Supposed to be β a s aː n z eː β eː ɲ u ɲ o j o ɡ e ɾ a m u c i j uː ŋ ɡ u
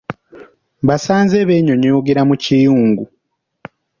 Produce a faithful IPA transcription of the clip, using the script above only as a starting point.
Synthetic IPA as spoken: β a s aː n z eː β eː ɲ o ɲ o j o ɡ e ɾ a m u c i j uː ŋ ɡ u

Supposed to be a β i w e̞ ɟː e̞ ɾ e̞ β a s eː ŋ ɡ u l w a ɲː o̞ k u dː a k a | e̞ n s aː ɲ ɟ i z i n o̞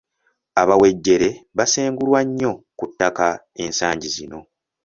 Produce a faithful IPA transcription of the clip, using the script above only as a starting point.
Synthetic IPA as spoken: a β a w e̞ ɟː e̞ ɾ e̞ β a s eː ŋ ɡ u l w a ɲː o̞ k u tː a k a | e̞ n s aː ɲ ɟ i z i n o̞

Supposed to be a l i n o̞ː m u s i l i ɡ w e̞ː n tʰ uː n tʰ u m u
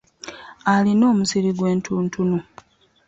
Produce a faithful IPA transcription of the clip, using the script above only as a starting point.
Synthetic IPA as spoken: a l i n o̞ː m u s i ɾ i ɡ w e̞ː n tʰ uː n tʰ u n u

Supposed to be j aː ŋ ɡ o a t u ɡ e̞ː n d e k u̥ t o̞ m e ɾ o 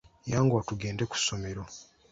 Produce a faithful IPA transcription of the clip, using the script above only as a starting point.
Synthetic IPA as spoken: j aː ŋ ɡ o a t u ɡ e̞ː n d e k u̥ s o̞ m e ɾ o

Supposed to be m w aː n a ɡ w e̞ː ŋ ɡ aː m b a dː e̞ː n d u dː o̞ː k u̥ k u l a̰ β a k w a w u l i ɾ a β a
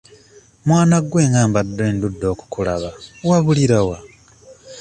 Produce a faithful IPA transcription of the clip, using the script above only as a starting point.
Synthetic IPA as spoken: m w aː n a ɡ w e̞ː ŋ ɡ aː m b a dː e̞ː n d u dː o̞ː k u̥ k u l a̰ β a w a β u l i ɾ a w a

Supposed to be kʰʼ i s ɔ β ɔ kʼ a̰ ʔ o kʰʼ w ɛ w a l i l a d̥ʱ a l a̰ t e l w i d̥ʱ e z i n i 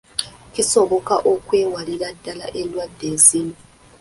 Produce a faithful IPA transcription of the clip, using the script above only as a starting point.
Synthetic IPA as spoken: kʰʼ i s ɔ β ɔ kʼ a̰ ʔ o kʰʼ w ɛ w a l i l a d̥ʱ a l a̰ ʔ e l w a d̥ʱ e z i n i

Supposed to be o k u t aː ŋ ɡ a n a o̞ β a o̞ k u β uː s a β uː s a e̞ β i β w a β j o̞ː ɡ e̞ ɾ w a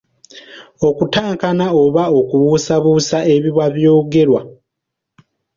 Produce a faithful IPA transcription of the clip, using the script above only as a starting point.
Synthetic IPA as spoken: o k u t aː ŋ k a n a o̞ β a o̞ k u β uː s a β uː s a e̞ β i β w a β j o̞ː ɡ e̞ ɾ w a

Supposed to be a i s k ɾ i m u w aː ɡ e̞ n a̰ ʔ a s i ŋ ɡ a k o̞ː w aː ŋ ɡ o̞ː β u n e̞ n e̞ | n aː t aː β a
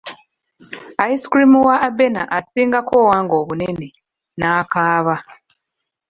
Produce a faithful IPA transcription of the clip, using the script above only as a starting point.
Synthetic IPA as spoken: a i s k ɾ i m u w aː b e̞ n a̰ ʔ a s iː ŋ ɡ a k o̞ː w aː ŋ ɡ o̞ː β u n e̞ n e̞ | n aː k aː β a

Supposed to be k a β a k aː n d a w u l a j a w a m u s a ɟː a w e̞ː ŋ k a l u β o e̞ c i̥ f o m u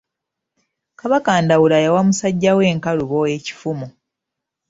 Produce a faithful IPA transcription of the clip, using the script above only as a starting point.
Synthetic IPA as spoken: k a β a k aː n d a w u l a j a w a m u s a ɟː a w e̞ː ŋ k a l u β o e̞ c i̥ f u m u

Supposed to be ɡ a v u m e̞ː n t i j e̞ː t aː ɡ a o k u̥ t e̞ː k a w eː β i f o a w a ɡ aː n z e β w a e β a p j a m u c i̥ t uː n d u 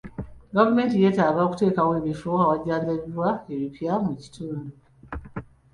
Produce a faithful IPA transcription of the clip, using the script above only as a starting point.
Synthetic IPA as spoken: ɡ a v u m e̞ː n t i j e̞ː t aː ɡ a o k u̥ t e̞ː k a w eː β i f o a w a ɟ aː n z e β w a e β i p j a m u c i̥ t uː n d u

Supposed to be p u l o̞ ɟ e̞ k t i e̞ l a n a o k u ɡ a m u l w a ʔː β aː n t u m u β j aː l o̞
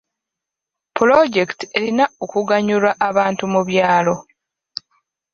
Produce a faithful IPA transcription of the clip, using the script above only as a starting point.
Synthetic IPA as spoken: p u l o̞ ɟ e̞ k t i e̞ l i n a o k u ɡ a ɲ u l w a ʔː β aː n t u m u β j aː l o̞

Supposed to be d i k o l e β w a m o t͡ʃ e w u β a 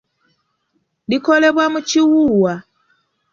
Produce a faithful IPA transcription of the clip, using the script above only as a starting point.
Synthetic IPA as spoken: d i k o l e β w a m u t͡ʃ i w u w a

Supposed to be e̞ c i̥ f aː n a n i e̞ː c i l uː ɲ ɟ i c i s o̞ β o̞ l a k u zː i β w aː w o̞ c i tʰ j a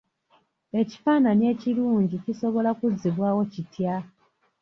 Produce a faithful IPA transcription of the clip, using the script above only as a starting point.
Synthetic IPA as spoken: e̞ c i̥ f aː n a n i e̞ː c i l uː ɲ ɟ i c i s o̞ β o̞ l a k u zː i β w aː w o̞ c i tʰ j a

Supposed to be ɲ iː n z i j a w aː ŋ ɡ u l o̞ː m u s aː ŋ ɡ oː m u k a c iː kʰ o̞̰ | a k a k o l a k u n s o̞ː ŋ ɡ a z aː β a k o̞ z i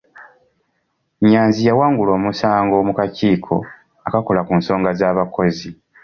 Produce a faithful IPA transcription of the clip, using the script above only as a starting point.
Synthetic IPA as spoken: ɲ aː n z i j a w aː ŋ ɡ u l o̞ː m u s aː ŋ ɡ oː m u k a c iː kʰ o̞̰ | a k a k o l a k u n s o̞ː ŋ ɡ a z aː β a k o̞ z i

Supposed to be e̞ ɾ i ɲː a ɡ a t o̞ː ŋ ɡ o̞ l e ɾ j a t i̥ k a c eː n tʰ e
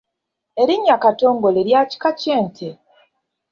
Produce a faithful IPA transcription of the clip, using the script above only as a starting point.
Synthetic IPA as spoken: e̞ ɾ i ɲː a k a t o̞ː ŋ ɡ o̞ l e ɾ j a c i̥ k a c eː n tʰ e

